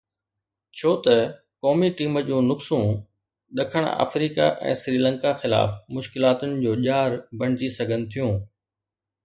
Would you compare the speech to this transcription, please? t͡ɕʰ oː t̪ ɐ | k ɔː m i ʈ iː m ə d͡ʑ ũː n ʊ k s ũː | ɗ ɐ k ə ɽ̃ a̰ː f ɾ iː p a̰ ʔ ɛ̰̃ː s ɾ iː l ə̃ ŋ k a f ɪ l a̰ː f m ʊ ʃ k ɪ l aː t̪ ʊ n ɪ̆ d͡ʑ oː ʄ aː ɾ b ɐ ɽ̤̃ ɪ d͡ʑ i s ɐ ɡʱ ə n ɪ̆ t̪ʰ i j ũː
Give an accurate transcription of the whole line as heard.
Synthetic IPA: t͡ɕʰ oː t̪ ɐ | k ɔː m i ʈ iː m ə d͡ʑ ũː n ʊ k s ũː | ɗ ɐ kʰ ə ɽ̃ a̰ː f ɾ iː k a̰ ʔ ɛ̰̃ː s ɾ iː l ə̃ ŋ k a x ɪ l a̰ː f m ʊ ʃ k ɪ l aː t̪ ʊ n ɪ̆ d͡ʑ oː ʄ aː ɾ b ɐ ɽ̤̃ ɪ d͡ʑ i s ɐ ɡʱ ə n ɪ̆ t̪ʰ i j ũː